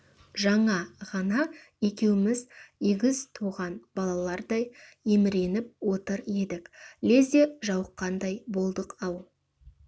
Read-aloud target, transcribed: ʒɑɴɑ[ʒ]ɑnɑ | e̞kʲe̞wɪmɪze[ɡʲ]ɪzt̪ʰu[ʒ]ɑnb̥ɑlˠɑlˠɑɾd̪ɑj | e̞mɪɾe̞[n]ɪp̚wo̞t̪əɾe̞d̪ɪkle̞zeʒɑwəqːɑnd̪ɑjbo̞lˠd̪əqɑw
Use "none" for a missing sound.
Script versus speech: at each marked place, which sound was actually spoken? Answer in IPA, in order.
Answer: ʁ, ɡʲ, ʁ, n

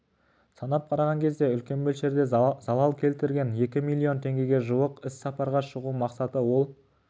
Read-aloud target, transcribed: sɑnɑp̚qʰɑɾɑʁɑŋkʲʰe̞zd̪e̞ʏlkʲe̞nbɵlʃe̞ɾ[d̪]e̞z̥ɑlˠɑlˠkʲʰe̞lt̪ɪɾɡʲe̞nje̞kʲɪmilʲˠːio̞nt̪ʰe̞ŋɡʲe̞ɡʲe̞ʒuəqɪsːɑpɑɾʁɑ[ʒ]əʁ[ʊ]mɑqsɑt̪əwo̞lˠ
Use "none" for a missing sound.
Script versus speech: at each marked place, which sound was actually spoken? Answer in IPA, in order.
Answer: d̪, ʃ, u

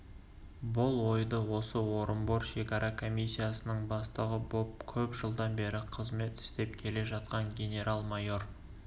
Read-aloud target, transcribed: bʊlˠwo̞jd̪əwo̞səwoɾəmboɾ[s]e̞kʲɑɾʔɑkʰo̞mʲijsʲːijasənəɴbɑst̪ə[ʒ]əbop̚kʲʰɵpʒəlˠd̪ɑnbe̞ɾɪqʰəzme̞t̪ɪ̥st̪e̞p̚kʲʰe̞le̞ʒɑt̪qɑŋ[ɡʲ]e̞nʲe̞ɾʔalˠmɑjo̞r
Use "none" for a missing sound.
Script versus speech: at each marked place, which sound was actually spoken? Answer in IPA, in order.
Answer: ʃ, ʁ, ɡʲ

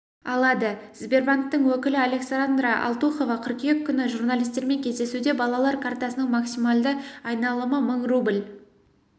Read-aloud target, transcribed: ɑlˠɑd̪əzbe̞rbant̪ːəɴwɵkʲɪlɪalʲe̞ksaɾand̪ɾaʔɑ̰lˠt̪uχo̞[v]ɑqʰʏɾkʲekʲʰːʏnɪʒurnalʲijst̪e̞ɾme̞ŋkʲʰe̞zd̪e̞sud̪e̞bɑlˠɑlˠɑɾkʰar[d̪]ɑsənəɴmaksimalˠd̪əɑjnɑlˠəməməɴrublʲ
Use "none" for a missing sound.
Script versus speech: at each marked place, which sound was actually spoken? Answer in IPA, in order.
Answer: v, t̪

